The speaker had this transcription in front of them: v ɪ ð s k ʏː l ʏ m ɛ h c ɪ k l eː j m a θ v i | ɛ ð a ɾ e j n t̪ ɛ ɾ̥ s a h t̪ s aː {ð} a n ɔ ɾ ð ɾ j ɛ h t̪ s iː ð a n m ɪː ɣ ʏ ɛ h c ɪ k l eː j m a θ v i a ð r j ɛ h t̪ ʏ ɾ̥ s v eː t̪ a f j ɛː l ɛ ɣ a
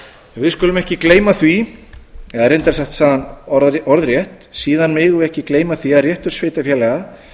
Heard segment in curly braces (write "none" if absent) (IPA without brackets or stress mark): ð